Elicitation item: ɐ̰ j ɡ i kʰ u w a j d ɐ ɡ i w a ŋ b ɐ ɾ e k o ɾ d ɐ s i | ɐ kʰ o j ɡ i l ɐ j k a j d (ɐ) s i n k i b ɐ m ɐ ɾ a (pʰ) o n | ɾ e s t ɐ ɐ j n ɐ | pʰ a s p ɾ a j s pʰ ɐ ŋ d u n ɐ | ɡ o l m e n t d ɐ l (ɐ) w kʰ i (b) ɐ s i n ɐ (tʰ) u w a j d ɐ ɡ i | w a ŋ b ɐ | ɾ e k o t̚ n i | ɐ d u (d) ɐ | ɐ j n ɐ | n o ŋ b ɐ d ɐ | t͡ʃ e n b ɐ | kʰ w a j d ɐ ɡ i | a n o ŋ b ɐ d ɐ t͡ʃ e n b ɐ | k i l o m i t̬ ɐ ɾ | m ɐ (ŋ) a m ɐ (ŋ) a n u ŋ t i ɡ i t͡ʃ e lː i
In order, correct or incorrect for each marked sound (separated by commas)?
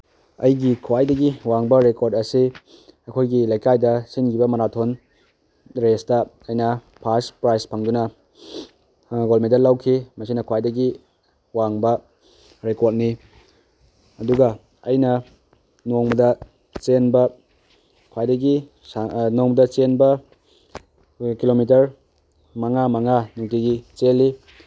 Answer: correct, incorrect, incorrect, incorrect, incorrect, incorrect, correct, correct